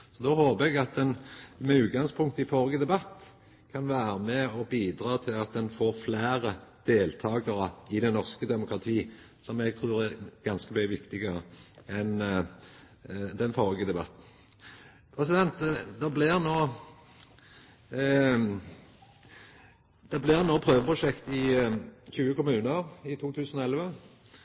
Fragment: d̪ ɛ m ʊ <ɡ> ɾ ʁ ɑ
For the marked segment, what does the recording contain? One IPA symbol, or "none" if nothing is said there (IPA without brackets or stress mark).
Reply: k